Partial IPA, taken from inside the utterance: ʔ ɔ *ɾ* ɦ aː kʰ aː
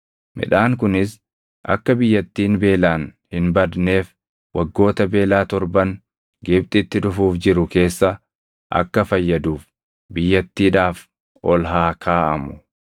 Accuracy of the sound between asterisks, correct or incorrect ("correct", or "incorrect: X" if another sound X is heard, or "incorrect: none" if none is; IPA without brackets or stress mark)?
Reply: incorrect: l